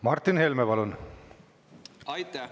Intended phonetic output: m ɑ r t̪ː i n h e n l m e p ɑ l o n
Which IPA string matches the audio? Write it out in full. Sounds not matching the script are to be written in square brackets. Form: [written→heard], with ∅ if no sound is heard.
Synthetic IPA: m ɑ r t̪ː i n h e [n→∅] l m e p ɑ l [o→u] n